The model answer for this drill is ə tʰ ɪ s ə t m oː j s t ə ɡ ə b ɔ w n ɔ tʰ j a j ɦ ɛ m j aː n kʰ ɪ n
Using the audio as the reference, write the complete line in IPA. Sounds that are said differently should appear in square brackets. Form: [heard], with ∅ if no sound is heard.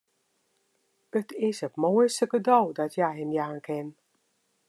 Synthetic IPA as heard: ə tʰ ɪ s ə t m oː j s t ə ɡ ə [d] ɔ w [d] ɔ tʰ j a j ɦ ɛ m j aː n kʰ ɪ n